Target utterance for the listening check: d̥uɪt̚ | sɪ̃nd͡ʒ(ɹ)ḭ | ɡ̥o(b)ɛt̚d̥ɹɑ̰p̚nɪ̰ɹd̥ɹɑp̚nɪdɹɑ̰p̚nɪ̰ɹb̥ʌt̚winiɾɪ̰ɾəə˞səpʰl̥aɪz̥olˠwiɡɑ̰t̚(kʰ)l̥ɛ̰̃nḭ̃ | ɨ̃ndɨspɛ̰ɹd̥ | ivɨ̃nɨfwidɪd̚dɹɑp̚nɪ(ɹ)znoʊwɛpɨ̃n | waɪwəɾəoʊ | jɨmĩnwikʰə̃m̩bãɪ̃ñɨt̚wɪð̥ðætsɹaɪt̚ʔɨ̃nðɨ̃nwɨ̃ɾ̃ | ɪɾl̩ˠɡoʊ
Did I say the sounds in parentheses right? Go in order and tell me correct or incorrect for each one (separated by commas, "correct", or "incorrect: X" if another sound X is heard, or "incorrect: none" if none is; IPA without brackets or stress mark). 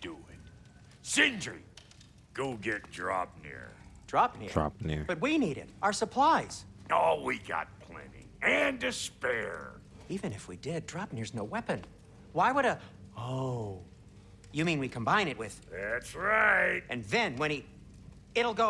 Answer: correct, incorrect: ɡ, incorrect: pʰ, correct